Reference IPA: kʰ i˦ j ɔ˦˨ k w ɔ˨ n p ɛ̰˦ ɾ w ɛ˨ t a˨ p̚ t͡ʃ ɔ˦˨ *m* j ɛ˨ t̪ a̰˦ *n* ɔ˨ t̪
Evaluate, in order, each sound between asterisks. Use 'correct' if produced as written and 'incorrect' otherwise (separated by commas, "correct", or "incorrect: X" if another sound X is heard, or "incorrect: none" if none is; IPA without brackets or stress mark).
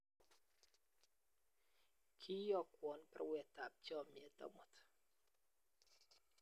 correct, incorrect: m